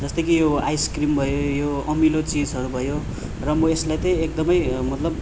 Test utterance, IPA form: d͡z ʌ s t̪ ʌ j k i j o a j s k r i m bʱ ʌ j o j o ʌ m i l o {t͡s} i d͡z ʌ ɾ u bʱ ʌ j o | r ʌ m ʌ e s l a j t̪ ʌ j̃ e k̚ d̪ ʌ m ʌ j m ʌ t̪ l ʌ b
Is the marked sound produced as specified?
yes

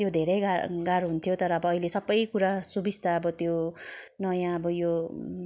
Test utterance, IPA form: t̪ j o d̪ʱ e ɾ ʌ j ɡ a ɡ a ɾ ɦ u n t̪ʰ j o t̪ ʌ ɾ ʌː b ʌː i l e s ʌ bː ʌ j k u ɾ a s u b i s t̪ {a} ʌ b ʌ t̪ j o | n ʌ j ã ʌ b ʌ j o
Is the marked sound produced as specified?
yes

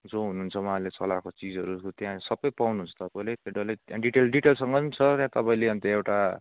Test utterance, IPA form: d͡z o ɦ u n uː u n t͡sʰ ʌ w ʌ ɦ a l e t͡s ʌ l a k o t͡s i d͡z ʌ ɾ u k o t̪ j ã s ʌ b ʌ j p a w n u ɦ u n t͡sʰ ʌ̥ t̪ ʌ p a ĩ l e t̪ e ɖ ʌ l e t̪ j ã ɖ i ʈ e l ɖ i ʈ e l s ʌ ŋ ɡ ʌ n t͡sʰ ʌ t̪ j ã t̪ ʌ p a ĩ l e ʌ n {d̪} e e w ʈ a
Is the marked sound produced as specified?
no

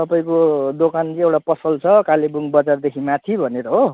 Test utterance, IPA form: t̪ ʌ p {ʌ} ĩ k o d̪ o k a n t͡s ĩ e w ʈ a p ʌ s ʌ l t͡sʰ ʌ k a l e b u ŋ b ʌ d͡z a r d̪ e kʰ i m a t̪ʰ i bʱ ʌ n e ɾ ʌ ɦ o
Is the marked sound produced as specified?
no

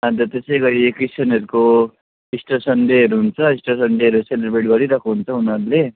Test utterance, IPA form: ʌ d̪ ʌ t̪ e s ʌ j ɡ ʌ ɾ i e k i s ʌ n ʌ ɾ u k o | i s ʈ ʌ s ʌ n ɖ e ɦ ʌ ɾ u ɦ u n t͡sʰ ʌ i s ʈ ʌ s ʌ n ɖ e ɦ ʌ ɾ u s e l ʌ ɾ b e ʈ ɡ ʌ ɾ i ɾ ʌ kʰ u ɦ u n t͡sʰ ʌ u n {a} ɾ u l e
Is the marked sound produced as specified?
no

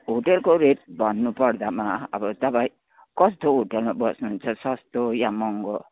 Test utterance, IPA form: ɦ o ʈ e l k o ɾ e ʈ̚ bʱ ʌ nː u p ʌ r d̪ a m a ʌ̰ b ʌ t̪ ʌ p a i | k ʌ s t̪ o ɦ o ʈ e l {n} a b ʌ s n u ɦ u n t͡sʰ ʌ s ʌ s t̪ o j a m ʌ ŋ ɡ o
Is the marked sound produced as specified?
no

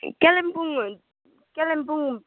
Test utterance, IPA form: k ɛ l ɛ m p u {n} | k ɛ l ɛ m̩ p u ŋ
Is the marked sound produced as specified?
no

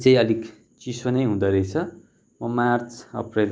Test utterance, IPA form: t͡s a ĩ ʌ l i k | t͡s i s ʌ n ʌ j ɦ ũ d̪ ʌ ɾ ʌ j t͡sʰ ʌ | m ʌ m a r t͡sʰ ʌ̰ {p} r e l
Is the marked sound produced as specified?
yes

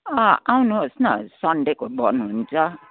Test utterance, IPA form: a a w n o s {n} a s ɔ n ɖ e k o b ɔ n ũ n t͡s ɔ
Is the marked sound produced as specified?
yes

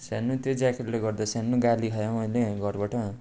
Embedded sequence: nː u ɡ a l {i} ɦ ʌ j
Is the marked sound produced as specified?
yes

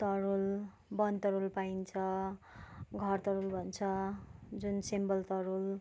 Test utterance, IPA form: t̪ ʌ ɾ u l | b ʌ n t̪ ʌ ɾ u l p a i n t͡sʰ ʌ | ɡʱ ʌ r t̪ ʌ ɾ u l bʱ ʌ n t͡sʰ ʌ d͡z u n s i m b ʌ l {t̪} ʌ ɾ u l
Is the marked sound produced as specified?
yes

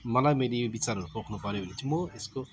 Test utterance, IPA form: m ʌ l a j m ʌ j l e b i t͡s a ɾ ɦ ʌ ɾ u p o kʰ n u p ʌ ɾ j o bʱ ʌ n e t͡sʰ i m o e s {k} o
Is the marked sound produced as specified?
yes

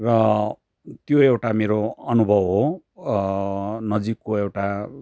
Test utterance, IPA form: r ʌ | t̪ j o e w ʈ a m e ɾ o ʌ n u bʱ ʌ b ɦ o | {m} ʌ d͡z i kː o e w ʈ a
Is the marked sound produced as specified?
no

